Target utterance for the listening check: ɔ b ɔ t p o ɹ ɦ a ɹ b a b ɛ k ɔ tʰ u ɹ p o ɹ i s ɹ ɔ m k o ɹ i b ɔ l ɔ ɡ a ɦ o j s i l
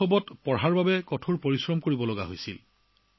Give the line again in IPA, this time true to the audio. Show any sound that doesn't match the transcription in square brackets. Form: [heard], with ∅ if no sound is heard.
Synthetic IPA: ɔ b ɔ t p [ɔ] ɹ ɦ a ɹ b a b ɛ k ɔ tʰ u ɹ p o ɹ i s ɹ ɔ m k o ɹ i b ɔ l ɔ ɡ a ɦ o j s i l